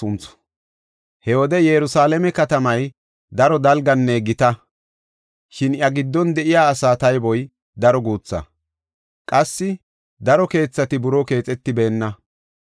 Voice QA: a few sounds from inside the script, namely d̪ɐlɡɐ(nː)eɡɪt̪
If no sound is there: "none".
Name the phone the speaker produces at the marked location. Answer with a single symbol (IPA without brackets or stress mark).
nː